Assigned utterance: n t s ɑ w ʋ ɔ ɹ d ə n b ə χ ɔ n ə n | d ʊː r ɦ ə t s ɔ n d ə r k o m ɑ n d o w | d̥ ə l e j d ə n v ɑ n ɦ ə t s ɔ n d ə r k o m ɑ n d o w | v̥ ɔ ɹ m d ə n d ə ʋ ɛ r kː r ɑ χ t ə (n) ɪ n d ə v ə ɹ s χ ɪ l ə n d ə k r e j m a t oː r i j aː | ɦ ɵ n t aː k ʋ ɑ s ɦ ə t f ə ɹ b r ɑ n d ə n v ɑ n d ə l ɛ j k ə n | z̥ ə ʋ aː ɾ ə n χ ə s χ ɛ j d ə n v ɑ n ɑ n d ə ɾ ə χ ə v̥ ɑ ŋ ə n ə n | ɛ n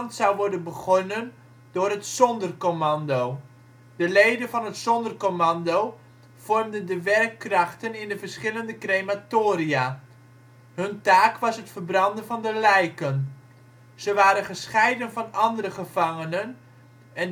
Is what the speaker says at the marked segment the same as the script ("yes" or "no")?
yes